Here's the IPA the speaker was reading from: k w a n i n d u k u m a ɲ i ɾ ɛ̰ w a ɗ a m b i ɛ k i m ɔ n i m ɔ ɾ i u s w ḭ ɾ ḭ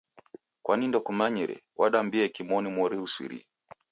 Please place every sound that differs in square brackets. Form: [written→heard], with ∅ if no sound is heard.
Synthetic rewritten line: k w a n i n d [u→ɔ] k u m a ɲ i ɾ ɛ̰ w a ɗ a m b i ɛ k i m ɔ n i m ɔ ɾ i u s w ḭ ɾ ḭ